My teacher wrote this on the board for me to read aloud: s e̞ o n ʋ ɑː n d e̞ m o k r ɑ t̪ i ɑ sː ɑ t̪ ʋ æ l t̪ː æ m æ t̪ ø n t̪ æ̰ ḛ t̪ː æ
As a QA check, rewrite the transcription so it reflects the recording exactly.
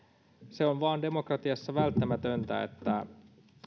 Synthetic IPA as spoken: s e̞ o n ʋ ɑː n d e̞ m o k r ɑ t̪ i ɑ sː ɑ ʋ æ l t̪ː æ m æ t̪ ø n t̪ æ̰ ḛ t̪ː æ